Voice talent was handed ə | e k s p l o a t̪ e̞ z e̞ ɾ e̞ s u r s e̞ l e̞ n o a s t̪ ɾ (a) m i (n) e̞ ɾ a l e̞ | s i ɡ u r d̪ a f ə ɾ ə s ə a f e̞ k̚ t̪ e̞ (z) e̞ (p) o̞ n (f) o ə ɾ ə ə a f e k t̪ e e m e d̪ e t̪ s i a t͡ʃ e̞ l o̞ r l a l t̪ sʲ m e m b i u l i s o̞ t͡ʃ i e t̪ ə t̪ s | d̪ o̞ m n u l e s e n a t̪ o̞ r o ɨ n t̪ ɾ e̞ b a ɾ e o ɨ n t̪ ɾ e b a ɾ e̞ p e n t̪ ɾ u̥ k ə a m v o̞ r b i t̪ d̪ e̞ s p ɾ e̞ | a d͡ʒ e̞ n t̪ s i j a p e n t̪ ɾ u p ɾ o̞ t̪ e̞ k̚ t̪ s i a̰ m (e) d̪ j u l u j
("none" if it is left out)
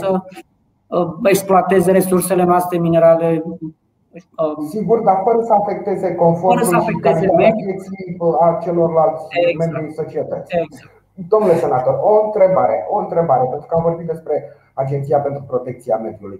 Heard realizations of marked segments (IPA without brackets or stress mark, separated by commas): e, n, z, k, f, e